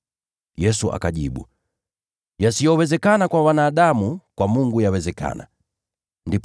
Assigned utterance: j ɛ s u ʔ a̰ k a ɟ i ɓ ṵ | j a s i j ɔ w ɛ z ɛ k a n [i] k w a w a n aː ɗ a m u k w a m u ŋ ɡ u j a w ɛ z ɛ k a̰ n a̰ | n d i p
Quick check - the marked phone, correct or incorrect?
incorrect